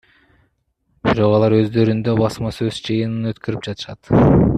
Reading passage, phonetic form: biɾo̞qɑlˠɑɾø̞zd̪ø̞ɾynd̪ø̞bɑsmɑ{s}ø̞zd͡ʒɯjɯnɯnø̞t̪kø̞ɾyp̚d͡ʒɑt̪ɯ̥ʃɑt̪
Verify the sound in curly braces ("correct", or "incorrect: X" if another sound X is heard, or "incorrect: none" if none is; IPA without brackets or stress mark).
correct